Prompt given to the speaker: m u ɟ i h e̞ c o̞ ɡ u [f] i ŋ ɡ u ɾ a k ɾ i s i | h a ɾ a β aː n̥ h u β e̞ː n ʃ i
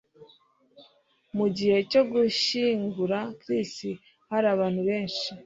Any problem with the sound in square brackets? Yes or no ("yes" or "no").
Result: yes